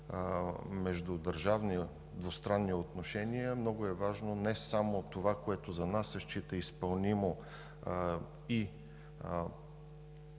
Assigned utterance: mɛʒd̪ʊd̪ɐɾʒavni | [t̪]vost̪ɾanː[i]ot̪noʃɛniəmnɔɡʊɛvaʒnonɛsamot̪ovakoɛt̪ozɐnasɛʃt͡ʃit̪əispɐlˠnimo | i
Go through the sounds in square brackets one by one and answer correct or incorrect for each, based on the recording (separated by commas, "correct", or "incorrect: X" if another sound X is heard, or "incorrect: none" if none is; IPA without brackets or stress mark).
incorrect: d̪, correct